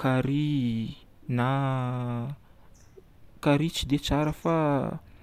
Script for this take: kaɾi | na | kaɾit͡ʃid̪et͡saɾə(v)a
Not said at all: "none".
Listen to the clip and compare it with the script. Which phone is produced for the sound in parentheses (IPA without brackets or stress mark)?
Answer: f